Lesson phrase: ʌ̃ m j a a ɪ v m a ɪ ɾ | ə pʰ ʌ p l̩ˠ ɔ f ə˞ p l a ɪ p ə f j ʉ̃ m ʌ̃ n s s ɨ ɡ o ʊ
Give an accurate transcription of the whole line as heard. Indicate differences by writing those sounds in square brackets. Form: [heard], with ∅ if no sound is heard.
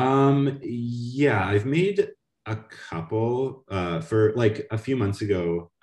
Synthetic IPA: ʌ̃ m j [æ] a ɪ v m [e] ɪ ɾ | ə [kʰ] ʌ p l̩ˠ [ʌ] f ə˞ [∅] l a ɪ [k] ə f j [ʉ] m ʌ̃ n [θ] s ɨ ɡ o ʊ